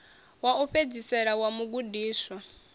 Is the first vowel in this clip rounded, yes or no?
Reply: no